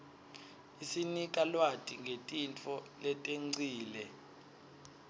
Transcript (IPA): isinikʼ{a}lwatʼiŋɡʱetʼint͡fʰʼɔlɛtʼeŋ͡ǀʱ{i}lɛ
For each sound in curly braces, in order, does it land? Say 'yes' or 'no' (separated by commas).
yes, no